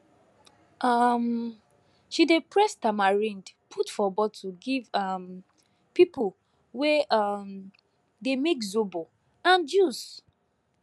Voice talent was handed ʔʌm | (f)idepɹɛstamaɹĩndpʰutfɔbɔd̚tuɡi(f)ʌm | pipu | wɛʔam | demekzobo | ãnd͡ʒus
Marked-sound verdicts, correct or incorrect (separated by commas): incorrect, incorrect